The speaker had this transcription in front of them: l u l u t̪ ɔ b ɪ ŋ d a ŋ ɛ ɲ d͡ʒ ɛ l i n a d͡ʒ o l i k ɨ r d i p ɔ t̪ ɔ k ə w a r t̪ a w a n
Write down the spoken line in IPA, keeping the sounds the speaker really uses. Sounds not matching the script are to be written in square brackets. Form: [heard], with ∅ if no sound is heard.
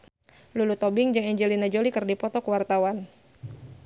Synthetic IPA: l u l u t̪ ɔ b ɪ ŋ [d͡ʒ] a ŋ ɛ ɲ d͡ʒ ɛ l i n a d͡ʒ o l i k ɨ r d i p ɔ t̪ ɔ k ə w a r t̪ a w a n